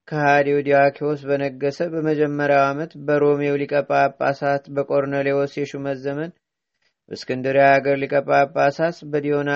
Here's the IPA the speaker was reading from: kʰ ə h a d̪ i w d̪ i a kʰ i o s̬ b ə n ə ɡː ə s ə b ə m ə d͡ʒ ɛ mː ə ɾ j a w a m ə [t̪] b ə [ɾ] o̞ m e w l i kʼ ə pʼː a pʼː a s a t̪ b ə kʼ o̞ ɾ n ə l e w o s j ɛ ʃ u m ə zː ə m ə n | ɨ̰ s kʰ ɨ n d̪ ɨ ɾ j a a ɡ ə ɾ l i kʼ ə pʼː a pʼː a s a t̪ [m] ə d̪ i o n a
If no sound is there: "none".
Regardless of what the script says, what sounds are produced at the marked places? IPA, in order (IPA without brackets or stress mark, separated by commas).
t̪, ɾ, b